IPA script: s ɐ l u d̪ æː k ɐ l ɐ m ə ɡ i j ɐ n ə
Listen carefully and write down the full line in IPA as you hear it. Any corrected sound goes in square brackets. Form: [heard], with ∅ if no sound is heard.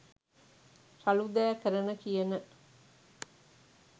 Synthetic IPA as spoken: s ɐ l u d̪ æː k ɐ [ɾ] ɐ [n] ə [k] i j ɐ n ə

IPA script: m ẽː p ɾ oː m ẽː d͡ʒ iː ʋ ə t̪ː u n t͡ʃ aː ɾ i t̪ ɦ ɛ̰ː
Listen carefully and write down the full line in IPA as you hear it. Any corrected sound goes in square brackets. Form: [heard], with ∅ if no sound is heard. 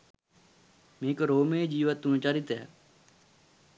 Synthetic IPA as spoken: m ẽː [k] ɾ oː m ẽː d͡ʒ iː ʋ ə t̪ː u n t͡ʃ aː ɾ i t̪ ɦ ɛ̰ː

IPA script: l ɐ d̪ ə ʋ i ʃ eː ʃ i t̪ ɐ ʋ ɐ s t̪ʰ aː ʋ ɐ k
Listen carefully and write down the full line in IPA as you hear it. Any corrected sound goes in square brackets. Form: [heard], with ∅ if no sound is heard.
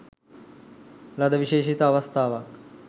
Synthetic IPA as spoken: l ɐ d̪ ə ʋ i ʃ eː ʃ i t̪ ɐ ʋ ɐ s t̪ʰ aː ʋ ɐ k

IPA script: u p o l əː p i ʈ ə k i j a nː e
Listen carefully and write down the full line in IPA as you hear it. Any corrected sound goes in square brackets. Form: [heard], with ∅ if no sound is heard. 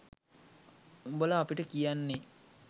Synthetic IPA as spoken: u [b] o l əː p i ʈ ə k i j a nː e

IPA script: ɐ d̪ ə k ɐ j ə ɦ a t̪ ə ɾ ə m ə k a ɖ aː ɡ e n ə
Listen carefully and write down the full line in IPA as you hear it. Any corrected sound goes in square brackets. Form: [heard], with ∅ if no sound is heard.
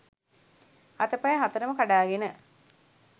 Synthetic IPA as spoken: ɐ [t̪] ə [p] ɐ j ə ɦ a t̪ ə ɾ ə m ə k a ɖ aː ɡ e n ə

